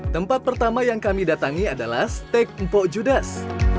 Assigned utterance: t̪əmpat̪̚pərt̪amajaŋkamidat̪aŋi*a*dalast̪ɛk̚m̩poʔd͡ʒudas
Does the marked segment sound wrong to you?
no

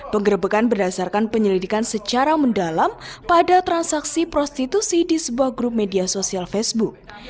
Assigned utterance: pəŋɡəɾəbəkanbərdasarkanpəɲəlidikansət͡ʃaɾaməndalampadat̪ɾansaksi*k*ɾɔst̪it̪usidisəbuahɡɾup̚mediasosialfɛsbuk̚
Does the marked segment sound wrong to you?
yes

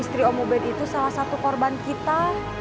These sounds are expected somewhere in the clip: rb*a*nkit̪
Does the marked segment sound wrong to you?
no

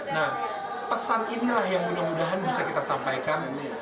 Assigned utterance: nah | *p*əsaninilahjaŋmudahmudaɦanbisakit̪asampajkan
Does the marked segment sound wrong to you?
no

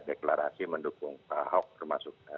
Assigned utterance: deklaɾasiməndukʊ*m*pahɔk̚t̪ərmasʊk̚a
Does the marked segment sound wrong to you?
yes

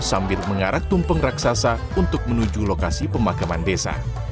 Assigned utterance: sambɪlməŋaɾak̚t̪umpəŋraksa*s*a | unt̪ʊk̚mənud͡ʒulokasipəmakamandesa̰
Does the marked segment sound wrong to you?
no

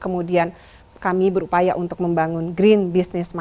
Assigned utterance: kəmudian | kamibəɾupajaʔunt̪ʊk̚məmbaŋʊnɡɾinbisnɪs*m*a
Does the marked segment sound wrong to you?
no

